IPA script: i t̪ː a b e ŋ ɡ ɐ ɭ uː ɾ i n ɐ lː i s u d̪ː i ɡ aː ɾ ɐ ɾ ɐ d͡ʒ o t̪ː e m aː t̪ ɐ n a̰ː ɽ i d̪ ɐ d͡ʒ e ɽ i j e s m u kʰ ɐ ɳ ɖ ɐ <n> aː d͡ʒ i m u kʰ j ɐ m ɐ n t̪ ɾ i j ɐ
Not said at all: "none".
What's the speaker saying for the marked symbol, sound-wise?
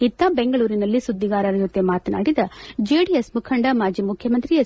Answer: m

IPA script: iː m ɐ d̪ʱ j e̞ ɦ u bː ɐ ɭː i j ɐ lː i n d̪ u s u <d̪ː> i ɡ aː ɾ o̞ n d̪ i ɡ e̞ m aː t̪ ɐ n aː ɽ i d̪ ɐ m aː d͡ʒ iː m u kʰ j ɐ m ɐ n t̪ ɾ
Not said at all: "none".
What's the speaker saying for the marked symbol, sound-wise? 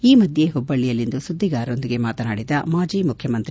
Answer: d̪ː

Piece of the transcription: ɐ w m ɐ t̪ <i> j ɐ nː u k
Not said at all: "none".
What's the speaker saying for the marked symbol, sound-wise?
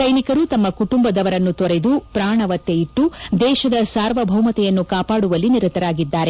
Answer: ɛ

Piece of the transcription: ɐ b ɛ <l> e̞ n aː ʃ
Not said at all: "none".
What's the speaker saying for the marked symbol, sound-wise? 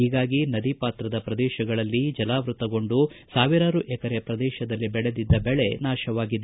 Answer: ɭ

